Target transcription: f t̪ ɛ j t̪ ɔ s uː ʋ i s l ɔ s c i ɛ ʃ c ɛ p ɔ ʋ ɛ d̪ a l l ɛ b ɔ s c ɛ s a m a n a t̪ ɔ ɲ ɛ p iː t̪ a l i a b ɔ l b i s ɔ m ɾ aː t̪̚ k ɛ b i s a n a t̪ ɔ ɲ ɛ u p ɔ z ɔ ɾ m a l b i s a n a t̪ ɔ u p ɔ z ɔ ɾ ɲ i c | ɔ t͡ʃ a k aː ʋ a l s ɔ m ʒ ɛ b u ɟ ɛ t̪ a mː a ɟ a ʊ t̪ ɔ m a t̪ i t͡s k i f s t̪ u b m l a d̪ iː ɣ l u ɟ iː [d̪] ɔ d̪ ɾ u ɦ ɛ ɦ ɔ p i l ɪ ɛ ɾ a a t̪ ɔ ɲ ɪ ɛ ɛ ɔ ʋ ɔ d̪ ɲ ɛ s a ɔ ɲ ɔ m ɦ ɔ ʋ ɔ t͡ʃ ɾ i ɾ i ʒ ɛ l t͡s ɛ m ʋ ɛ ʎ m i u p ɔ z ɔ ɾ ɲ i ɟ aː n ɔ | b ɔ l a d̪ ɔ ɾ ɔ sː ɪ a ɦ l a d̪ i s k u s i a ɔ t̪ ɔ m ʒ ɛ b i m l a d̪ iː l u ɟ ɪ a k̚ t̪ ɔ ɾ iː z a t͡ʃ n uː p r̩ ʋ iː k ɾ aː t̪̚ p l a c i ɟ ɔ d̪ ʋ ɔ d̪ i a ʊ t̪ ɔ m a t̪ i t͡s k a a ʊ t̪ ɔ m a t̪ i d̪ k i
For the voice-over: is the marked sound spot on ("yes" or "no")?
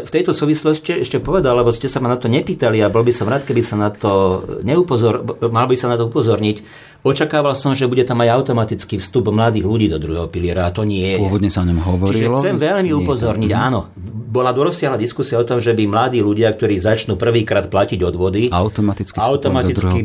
yes